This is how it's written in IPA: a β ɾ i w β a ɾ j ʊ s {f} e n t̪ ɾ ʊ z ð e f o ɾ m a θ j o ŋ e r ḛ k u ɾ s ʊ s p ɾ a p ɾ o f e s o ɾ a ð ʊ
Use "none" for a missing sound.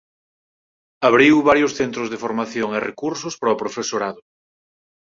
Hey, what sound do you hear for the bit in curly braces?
θ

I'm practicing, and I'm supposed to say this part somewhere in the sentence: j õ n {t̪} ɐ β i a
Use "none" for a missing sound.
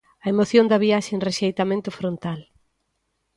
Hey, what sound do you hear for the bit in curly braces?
d̪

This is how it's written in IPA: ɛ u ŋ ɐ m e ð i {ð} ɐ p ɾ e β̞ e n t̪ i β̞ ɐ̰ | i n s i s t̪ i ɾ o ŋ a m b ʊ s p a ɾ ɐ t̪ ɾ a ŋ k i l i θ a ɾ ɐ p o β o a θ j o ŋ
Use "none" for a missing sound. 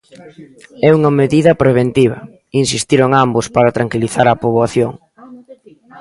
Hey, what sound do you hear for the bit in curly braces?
ð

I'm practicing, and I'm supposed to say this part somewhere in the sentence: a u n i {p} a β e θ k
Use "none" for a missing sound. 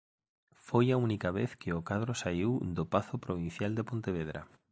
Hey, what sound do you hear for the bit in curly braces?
k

